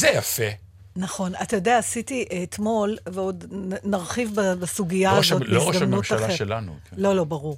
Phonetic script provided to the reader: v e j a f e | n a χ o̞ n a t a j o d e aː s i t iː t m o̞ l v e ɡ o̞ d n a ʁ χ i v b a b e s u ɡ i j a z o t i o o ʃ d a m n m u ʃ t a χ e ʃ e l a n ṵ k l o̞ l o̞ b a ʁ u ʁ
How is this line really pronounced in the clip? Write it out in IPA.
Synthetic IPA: z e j a f e | n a χ o̞ n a t a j o d e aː s i t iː t m o̞ l v e o̞ d n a ʁ χ i v b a b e s u ɡ i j a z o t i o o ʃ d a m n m u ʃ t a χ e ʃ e l a n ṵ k l o̞ l o̞ b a ʁ u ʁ